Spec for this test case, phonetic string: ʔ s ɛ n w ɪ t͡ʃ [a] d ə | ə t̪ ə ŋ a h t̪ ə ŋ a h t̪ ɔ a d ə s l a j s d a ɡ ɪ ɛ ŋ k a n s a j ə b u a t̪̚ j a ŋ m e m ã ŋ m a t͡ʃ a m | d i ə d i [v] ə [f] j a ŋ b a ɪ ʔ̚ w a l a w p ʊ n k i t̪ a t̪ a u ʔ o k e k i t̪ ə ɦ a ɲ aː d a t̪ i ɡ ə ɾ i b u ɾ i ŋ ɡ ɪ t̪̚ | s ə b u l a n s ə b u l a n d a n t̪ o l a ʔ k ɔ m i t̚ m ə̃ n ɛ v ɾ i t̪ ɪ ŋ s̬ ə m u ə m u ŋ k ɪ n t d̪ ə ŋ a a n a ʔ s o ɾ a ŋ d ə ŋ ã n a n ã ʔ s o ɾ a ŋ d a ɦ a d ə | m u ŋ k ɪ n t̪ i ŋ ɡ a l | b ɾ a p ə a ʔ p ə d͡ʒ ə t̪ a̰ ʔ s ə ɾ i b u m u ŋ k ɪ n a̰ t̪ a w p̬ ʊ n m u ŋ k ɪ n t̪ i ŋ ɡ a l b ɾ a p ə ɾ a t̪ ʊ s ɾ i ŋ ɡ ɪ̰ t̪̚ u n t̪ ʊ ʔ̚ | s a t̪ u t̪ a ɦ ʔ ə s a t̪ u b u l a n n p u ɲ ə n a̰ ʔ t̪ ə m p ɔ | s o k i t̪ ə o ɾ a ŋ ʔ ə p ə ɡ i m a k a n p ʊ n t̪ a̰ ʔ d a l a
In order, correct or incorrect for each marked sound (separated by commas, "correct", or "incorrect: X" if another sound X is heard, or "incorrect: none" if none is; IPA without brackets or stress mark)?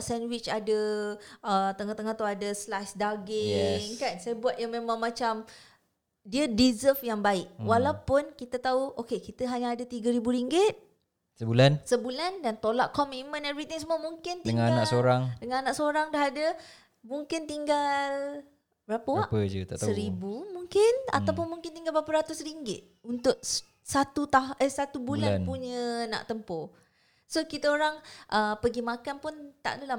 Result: correct, incorrect: z, correct